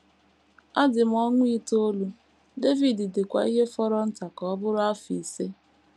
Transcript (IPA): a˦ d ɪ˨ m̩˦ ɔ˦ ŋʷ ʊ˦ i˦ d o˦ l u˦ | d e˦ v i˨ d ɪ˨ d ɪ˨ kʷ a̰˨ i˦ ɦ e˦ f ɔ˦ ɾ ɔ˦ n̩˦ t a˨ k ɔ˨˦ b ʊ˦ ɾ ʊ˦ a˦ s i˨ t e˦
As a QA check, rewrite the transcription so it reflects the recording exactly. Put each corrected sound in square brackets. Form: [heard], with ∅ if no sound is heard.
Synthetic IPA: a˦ d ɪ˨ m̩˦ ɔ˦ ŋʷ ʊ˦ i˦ [t] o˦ l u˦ | d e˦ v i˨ d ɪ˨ d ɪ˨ kʷ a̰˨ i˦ ɦ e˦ f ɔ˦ ɾ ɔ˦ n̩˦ t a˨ k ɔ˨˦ b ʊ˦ ɾ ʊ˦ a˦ [f] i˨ [s] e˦